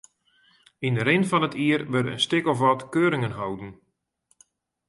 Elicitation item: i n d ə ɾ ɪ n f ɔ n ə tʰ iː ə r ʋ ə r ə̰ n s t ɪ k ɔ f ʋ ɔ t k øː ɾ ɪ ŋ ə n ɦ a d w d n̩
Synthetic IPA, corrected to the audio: i n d ə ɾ ɪ n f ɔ n ə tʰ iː ə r ʋ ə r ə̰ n s t ɪ k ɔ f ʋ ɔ t k øː ɾ ɪ ŋ ə n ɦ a w d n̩